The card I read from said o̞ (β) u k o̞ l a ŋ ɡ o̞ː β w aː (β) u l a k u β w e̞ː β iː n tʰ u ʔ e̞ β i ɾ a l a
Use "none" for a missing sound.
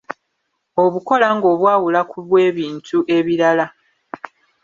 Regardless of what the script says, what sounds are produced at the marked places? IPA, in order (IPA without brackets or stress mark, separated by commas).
β, w